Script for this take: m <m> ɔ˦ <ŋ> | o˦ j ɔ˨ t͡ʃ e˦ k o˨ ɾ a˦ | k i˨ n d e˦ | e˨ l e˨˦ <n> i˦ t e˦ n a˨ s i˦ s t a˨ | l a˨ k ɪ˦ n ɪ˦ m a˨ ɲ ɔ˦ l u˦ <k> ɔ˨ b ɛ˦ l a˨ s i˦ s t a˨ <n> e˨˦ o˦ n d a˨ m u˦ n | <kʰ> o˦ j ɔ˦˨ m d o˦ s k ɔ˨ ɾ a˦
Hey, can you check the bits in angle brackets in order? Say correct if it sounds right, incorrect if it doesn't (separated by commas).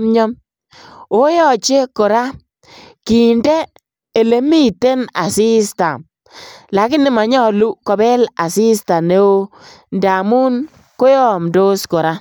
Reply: incorrect, incorrect, incorrect, correct, correct, incorrect